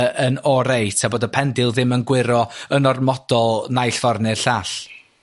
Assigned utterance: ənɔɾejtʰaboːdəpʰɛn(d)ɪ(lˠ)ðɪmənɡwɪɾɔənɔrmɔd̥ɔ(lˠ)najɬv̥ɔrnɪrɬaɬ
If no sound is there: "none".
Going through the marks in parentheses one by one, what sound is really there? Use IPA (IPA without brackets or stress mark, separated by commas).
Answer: d, lˠ, lˠ